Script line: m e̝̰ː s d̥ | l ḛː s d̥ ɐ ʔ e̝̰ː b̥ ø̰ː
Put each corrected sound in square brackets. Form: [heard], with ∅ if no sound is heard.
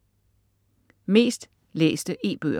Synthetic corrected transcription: m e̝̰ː s d̥ | l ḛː s d̥ [ə] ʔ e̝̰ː b̥ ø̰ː